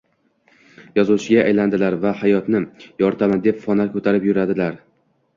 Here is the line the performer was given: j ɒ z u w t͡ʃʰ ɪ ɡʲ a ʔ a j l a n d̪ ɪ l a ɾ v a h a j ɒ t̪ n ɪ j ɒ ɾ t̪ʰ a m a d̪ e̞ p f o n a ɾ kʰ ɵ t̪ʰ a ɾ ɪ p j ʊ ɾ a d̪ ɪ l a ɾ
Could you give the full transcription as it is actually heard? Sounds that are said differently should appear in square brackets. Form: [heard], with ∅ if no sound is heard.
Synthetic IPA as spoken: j ɒ z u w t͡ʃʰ ɪ ɡʲ a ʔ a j l a n d̪ ɪ l a ɾ v a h a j ɒ t̪ n ɪ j ɒ ɾ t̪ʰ a m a d̪ e̞ p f [ɒ] n a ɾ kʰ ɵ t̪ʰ a ɾ ɪ p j ʊ ɾ a d̪ ɪ l a ɾ